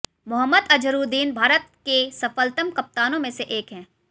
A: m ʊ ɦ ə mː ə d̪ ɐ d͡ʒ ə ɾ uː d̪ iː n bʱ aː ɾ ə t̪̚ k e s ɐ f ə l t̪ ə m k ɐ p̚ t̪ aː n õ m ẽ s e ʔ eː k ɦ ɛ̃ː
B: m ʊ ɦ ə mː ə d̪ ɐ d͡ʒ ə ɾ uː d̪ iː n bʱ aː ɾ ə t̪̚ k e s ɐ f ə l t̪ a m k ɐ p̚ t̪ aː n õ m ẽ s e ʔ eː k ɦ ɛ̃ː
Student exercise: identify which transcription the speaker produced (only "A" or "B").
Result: A